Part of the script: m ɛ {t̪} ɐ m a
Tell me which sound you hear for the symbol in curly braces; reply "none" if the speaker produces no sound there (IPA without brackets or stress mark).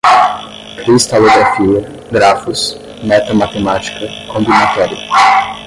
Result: t̪